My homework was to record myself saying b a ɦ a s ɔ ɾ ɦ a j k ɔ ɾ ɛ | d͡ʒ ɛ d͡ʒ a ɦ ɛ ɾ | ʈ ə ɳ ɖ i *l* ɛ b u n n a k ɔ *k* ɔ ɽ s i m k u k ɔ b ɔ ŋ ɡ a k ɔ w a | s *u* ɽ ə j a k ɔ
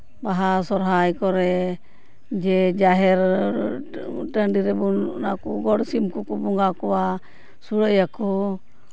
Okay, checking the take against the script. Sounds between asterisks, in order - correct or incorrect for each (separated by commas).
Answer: incorrect, incorrect, correct